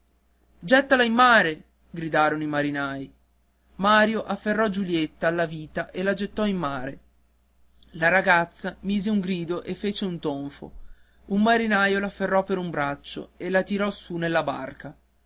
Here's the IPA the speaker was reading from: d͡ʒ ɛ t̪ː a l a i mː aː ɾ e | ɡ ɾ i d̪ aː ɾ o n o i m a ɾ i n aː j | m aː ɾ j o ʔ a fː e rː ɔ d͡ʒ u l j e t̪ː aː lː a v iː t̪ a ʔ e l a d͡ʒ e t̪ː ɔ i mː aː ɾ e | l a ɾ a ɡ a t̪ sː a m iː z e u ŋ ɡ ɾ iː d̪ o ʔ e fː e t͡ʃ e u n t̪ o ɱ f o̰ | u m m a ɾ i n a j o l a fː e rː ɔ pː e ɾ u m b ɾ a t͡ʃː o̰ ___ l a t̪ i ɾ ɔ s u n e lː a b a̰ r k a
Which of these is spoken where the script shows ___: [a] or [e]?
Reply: e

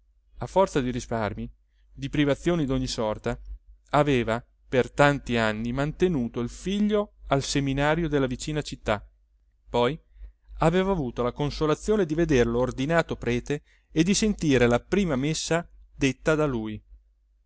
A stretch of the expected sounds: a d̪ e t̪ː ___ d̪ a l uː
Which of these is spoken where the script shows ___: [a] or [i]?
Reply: a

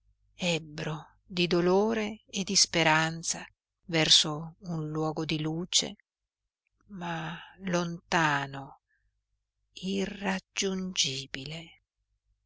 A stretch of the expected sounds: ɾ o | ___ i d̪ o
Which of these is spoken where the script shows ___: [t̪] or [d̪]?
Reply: d̪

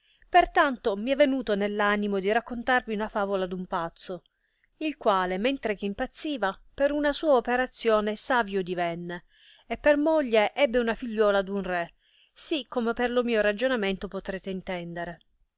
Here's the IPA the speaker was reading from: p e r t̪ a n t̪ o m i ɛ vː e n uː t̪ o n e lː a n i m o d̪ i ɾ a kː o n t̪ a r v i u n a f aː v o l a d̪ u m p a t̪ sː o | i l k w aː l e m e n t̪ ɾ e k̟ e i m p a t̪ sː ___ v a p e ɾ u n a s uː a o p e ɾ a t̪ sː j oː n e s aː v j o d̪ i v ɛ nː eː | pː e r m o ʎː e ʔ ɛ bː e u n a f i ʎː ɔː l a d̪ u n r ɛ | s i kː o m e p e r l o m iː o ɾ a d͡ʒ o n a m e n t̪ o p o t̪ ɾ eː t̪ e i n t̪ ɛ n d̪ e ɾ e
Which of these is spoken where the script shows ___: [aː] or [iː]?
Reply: iː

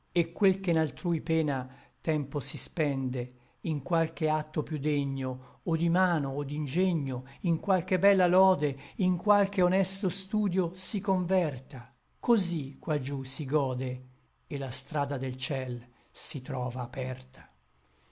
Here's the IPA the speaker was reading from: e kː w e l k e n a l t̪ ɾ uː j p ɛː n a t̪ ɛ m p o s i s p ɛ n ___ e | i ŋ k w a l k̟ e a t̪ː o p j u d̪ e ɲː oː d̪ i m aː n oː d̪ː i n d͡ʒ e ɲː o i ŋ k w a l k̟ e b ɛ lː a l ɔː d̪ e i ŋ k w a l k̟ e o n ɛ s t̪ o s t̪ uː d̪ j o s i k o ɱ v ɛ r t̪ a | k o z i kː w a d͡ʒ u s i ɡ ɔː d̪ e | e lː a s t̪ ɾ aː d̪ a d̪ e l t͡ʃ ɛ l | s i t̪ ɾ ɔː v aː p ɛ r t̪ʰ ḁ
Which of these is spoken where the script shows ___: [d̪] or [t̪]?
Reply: d̪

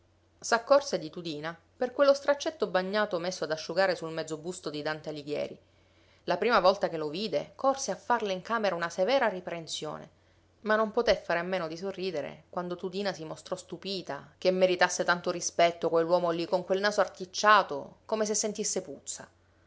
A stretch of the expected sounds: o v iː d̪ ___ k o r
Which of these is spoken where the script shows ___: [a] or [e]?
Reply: e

